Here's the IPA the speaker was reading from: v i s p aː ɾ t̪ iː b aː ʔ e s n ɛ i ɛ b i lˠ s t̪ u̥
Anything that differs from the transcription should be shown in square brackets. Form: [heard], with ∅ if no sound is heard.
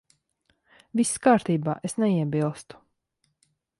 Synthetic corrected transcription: v i s [k] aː ɾ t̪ iː b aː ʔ e s n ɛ i ɛ b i lˠ s t̪ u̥